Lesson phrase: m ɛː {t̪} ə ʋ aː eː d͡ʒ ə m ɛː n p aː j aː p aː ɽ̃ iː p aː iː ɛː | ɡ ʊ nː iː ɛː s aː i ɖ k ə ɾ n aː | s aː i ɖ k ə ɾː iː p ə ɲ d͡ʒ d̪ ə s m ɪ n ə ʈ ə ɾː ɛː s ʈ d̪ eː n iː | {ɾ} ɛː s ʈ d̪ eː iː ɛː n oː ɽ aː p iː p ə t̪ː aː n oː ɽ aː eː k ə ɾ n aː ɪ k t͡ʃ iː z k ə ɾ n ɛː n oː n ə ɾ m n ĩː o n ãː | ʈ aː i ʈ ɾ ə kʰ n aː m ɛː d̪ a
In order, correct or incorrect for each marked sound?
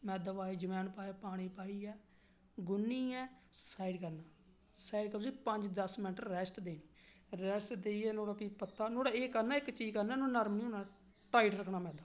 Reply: incorrect: d̪, correct

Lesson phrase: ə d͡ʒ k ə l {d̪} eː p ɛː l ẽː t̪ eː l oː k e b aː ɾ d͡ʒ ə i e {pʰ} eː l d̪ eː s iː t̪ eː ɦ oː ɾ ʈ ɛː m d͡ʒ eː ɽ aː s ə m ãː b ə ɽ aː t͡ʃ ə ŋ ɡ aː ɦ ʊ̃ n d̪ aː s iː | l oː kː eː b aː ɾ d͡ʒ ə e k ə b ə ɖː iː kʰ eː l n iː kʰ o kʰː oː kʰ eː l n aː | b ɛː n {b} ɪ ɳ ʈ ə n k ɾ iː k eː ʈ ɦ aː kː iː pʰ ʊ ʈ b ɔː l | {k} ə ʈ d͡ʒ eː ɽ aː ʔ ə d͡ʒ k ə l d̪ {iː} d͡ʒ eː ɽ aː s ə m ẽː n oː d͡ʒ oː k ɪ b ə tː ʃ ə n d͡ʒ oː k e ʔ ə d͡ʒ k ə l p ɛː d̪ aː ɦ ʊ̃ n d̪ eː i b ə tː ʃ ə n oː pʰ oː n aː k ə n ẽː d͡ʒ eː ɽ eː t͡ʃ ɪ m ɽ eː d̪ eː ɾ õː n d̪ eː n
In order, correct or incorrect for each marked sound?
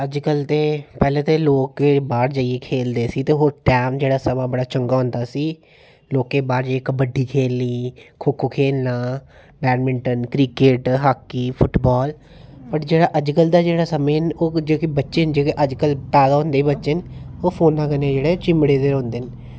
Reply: incorrect: t̪, incorrect: kʰ, incorrect: m, incorrect: p, incorrect: aː

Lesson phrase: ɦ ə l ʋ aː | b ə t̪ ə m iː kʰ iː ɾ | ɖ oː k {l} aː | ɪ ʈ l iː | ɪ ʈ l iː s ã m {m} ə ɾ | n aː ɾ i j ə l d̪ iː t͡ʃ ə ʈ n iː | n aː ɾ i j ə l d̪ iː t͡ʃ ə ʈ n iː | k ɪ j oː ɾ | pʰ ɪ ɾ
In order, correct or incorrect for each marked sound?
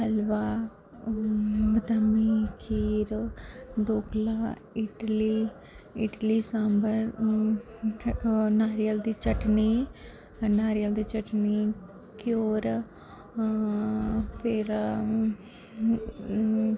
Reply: correct, incorrect: b

